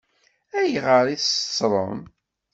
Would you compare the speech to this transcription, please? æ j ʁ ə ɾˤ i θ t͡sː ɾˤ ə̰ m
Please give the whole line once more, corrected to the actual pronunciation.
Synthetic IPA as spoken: æ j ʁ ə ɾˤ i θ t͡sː ɾˤ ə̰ m

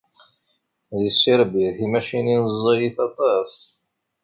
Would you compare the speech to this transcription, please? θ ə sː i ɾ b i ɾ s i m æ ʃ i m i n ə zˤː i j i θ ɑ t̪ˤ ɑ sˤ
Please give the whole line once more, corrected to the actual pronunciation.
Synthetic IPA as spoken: ð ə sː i ɾ b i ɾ θ i m æ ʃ i n i n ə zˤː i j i θ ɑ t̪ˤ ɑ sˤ

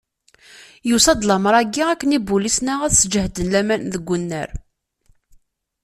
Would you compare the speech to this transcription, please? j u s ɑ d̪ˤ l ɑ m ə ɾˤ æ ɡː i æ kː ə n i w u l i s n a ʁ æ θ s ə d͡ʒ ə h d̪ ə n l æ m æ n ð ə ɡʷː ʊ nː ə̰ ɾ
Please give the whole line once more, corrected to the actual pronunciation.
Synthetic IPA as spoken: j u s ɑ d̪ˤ l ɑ m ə ɾˤ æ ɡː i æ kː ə n i b u l i s n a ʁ æ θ s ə d͡ʒ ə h d̪ ə n l æ m æ n ð ə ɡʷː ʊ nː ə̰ ɾ

